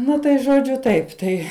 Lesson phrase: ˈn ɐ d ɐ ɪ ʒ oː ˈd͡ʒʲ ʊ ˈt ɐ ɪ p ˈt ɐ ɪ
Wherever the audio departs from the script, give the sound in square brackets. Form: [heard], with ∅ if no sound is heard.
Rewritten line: ˈn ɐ [t] ɐ ɪ ʒ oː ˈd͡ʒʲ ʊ ˈt ɐ ɪ p ˈt ɐ ɪ

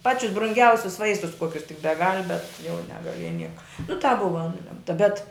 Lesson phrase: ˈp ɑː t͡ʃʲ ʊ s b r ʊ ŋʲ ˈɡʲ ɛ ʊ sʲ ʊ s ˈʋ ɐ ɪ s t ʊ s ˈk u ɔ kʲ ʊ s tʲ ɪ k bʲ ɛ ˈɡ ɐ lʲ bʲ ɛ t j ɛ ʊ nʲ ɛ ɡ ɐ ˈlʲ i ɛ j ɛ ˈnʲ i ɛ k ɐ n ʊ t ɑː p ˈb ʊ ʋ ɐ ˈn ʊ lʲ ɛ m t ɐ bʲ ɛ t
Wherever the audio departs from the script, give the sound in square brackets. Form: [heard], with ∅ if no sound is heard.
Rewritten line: ˈp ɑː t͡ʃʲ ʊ s b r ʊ ŋʲ ˈɡʲ ɛ ʊ sʲ ʊ s ˈʋ ɐ ɪ s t ʊ s ˈk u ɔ kʲ ʊ s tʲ ɪ k bʲ ɛ ˈɡ ɐ lʲ bʲ ɛ t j ɛ ʊ nʲ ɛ ɡ ɐ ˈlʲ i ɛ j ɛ ˈnʲ i ɛ k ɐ n ʊ t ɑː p ˈb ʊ ʋ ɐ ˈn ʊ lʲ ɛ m t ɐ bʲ ɛ t

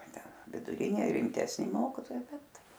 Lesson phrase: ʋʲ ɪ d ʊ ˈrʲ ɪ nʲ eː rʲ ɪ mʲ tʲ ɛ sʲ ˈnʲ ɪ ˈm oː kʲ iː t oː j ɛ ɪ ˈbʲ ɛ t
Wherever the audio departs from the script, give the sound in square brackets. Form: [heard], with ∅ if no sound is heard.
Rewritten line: ʋʲ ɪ d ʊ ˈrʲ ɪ nʲ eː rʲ ɪ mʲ tʲ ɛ sʲ ˈnʲ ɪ ˈm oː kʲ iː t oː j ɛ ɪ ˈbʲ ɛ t

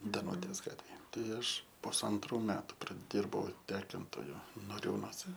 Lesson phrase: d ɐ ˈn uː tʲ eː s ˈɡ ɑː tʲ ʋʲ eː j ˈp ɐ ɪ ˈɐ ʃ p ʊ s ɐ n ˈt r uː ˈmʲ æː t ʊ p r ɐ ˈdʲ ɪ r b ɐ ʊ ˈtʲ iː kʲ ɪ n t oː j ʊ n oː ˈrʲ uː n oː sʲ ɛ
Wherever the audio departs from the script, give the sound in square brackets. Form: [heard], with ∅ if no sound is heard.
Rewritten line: d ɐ ˈn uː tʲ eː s ˈɡ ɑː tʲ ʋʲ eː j [ˈt] ɐ ɪ ˈɐ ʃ p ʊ s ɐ n ˈt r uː ˈmʲ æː t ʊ p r ɐ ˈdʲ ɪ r b ɐ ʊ ˈtʲ [æː] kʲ ɪ n t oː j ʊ n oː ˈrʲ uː n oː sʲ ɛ

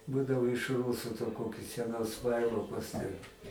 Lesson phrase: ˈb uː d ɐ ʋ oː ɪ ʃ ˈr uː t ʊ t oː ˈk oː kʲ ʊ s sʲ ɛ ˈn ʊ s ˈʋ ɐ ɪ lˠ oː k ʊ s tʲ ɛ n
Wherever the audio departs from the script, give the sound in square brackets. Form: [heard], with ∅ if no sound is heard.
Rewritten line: ˈb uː d ɐ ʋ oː ɪ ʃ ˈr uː [s] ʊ t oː ˈk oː kʲ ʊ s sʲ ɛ ˈn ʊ s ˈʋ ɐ ɪ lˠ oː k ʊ s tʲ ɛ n

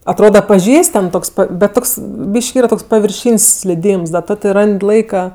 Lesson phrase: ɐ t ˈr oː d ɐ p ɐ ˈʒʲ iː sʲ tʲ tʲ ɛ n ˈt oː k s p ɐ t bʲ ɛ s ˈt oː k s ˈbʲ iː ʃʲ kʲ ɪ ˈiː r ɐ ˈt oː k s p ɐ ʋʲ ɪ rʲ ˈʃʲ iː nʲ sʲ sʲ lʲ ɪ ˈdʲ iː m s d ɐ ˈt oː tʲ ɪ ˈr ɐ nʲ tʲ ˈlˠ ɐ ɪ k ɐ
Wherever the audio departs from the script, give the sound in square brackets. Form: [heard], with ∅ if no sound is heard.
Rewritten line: ɐ t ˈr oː d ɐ p ɐ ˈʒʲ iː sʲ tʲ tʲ ɛ n ˈt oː k s p ɐ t bʲ ɛ [t] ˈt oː k s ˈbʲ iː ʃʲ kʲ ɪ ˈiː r ɐ ˈt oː k s p ɐ ʋʲ ɪ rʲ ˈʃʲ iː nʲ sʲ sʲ lʲ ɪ ˈdʲ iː m s d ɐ ˈt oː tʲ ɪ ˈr ɐ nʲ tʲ ˈlˠ ɐ ɪ k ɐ

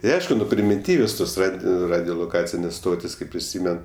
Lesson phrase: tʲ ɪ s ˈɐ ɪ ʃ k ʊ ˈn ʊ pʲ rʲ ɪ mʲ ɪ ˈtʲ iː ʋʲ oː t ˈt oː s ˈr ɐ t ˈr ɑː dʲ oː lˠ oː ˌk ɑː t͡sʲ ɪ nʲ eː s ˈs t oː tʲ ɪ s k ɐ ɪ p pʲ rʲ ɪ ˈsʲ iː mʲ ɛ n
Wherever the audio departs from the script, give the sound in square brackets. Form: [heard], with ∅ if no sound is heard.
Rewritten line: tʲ ɪ [∅] ˈɐ ɪ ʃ k ʊ ˈn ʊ pʲ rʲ ɪ mʲ ɪ ˈtʲ iː ʋʲ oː [s] ˈt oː s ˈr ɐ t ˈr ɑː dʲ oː lˠ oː ˌk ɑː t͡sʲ ɪ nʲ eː s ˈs t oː tʲ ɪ s k ɐ ɪ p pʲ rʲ ɪ ˈsʲ iː mʲ ɛ n

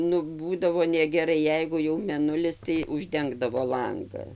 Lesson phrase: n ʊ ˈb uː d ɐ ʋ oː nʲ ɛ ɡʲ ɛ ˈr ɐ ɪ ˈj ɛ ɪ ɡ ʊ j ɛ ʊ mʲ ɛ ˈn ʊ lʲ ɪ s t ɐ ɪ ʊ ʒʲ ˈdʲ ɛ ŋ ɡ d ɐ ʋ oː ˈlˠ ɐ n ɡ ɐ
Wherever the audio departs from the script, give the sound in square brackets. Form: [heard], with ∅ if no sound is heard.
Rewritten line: n ʊ ˈb uː d ɐ ʋ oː nʲ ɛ ɡʲ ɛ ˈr ɐ ɪ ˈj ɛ ɪ ɡ ʊ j ɛ ʊ mʲ ɛ ˈn ʊ lʲ ɪ s t ɐ ɪ ʊ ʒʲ ˈdʲ ɛ ŋ ɡ d ɐ ʋ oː ˈlˠ ɐ [ŋ] ɡ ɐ

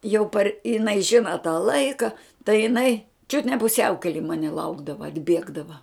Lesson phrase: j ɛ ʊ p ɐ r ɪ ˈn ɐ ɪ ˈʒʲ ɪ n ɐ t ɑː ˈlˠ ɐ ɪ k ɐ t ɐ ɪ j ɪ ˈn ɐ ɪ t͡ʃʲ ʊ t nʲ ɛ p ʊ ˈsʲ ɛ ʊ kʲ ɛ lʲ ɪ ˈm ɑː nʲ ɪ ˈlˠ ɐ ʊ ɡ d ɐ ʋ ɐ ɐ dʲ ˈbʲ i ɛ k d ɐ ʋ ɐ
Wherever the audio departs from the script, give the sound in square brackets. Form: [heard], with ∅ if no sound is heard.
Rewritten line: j ɛ ʊ p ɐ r ɪ ˈn ɐ ɪ ˈʒʲ ɪ n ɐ t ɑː ˈlˠ ɐ ɪ k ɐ t ɐ ɪ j ɪ ˈn ɐ ɪ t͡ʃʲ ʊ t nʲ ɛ p ʊ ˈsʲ ɛ ʊ kʲ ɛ lʲ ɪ ˈm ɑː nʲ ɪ ˈlˠ ɐ ʊ ɡ d ɐ ʋ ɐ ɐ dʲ ˈbʲ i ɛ [ɡ] d ɐ ʋ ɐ

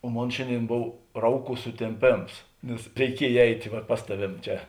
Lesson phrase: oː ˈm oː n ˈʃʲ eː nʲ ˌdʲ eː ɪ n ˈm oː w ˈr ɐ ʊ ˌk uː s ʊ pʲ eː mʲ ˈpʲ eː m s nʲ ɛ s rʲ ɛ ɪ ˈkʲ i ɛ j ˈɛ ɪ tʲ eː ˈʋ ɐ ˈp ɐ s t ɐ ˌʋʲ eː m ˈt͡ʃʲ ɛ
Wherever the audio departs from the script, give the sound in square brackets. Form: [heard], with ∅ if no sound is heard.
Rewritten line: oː ˈm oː n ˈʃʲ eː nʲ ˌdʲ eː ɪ n [ˈb] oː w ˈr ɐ ʊ ˌk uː s ʊ [tʲ] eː mʲ ˈpʲ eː m s nʲ ɛ s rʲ ɛ ɪ ˈkʲ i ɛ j ˈɛ ɪ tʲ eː ˈʋ ɐ ˈp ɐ s t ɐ ˌʋʲ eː m ˈt͡ʃʲ ɛ

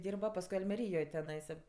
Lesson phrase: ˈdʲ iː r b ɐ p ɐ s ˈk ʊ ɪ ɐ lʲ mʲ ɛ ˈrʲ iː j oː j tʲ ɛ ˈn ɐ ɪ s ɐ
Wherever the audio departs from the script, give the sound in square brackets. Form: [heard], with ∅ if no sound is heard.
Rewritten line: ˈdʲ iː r b ɐ p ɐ s ˈk ʊ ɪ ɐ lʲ mʲ ɛ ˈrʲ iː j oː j tʲ ɛ ˈn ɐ ɪ s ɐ

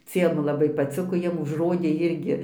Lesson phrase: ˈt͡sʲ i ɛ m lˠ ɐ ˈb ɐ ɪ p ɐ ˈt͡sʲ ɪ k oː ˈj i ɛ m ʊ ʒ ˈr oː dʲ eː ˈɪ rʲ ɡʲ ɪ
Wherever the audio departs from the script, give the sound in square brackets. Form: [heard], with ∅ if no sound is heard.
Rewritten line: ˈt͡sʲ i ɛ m lˠ ɐ ˈb ɐ ɪ p ɐ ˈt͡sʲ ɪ k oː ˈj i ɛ m ʊ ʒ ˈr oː dʲ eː ˈɪ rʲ ɡʲ ɪ

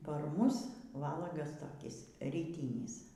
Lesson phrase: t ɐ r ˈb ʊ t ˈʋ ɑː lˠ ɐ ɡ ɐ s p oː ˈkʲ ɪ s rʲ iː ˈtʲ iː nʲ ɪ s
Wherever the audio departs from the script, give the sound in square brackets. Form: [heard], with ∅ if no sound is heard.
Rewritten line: [p] ɐ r [ˈm] ʊ [s] ˈʋ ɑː lˠ ɐ ɡ ɐ s [t] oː ˈkʲ ɪ s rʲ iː ˈtʲ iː nʲ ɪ s

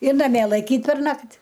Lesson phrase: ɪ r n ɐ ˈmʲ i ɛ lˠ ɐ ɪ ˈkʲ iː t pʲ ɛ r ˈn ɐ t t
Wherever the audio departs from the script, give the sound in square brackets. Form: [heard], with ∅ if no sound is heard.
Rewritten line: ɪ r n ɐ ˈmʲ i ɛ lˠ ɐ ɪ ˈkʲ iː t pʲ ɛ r ˈn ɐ [k] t

